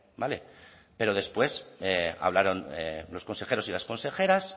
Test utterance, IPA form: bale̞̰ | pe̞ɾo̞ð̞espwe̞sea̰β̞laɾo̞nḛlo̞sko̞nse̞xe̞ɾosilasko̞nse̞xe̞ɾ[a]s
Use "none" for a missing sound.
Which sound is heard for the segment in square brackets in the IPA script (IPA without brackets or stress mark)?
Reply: a